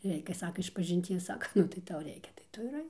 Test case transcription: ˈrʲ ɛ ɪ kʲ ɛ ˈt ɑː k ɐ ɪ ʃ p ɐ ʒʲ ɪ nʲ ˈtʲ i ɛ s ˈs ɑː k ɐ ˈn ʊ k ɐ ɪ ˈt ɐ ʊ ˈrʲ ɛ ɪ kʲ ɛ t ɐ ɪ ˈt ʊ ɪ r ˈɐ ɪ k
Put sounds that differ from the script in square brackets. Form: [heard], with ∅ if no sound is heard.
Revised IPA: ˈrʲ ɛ ɪ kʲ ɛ [ˈs] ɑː k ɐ ɪ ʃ p ɐ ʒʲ ɪ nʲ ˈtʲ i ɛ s ˈs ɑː k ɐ ˈn ʊ [t] ɐ ɪ ˈt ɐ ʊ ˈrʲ ɛ ɪ kʲ ɛ t ɐ ɪ ˈt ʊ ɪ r ˈɐ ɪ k

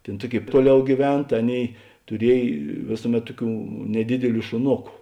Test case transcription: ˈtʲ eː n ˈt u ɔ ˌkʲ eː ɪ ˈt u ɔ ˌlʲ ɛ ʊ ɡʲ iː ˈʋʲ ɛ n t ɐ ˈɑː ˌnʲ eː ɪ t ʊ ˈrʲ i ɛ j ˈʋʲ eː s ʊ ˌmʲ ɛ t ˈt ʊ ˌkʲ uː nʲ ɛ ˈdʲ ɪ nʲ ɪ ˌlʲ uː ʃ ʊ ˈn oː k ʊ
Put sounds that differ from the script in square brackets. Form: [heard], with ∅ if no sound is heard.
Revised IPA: ˈtʲ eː n ˈt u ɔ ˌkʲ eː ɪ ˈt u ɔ ˌlʲ ɛ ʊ ɡʲ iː ˈʋʲ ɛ n t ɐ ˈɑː ˌnʲ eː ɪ t ʊ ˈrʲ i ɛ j ˈʋʲ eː s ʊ ˌmʲ ɛ t ˈt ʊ ˌkʲ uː nʲ ɛ ˈdʲ ɪ [dʲ] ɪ ˌlʲ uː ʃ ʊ ˈn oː k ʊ

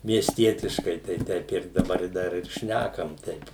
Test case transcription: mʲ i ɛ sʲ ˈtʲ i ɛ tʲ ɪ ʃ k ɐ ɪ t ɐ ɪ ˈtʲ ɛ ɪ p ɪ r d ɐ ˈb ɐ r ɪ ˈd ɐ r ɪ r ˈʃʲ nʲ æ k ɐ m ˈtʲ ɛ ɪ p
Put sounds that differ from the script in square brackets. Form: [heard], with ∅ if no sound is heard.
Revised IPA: mʲ i ɛ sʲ ˈtʲ i ɛ tʲ ɪ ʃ k ɐ ɪ t ɐ ɪ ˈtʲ ɛ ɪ p ɪ r d ɐ ˈb ɐ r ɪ ˈd ɐ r ɪ r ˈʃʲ nʲ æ k ɐ m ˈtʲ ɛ ɪ p

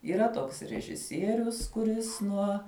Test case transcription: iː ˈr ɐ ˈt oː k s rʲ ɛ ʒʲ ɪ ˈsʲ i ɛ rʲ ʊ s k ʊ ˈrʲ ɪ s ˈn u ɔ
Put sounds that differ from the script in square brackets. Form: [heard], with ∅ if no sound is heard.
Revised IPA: iː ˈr ɐ ˈt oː k s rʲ ɛ ʒʲ ɪ ˈsʲ i ɛ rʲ ʊ s k ʊ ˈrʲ ɪ s ˈn u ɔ

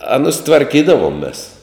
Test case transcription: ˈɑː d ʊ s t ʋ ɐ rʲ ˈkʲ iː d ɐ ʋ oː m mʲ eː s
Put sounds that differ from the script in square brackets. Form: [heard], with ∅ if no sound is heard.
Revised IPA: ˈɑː [n] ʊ s t ʋ ɐ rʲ ˈkʲ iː d ɐ ʋ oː m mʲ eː s

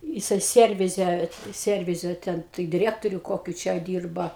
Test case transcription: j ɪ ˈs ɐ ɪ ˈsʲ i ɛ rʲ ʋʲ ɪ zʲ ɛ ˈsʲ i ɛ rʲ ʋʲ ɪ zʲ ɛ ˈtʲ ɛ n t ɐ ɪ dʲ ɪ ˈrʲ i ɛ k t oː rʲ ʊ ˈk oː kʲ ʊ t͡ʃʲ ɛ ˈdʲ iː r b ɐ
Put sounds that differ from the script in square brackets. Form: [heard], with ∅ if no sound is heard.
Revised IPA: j ɪ ˈs ɐ ɪ ˈsʲ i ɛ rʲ ʋʲ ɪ zʲ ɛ ˈsʲ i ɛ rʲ ʋʲ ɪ zʲ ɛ ˈtʲ ɛ n t ɐ ɪ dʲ ɪ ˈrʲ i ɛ k t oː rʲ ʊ ˈk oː kʲ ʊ t͡ʃʲ ɛ ˈdʲ iː r b ɐ

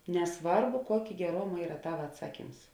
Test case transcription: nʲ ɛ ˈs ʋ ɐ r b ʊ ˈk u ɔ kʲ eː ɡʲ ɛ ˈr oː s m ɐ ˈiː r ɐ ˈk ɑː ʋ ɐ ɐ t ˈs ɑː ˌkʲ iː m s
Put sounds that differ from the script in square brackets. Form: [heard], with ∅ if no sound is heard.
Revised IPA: nʲ ɛ ˈs ʋ ɐ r b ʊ ˈk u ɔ kʲ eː ɡʲ ɛ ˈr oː [∅] m ɐ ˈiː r ɐ [ˈt] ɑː ʋ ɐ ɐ t ˈs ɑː ˌkʲ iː m s

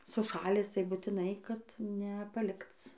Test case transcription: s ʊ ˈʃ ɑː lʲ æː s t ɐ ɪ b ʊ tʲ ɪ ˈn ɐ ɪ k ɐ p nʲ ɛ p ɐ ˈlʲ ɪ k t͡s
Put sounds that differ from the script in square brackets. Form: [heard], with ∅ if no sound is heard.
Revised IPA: s ʊ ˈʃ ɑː lʲ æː s t ɐ ɪ b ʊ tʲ ɪ ˈn ɐ ɪ k ɐ [t] nʲ ɛ p ɐ ˈlʲ ɪ k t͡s

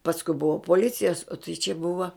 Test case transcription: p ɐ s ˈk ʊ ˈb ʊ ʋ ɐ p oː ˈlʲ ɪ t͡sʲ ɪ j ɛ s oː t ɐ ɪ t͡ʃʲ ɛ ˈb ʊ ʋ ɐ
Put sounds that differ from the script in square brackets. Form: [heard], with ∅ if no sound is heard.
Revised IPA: p ɐ s ˈk ʊ ˈb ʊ ʋ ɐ p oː ˈlʲ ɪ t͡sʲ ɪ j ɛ s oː t ɐ ɪ t͡ʃʲ ɛ ˈb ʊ ʋ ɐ

